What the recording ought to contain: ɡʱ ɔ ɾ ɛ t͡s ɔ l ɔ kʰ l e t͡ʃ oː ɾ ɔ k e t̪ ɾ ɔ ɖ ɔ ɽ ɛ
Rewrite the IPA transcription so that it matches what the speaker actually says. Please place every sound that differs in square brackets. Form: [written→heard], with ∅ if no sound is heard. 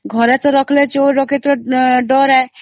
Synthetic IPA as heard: ɡʱ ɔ ɾ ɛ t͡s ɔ [l→ɾ] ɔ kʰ l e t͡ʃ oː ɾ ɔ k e t̪ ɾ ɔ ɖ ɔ [ɽ→ɾ] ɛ